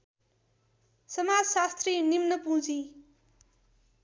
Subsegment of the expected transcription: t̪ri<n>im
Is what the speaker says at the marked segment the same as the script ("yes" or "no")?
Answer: yes